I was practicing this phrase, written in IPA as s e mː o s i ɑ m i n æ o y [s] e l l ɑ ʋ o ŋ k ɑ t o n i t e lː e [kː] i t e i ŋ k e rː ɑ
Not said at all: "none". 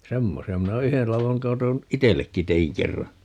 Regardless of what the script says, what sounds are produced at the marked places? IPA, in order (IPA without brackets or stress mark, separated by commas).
h, kː